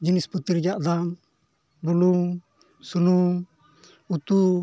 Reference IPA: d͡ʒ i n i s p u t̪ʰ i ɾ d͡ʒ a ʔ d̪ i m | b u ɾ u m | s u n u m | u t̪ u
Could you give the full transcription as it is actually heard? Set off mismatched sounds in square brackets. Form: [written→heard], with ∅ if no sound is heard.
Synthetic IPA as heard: d͡ʒ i n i s p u [t̪ʰ→t̪] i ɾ d͡ʒ a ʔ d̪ [i→a] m | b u [ɾ→l] u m | s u n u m | u t̪ u